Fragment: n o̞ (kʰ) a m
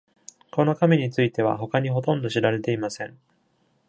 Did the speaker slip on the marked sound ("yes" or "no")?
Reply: yes